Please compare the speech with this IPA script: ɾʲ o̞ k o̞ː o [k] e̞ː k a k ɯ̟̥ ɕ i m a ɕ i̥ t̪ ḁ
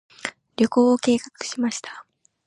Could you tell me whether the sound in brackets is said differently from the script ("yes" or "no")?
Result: no